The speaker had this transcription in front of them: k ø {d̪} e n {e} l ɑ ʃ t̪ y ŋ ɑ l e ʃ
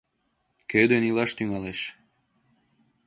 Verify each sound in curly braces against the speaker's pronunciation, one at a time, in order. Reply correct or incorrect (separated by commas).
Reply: correct, incorrect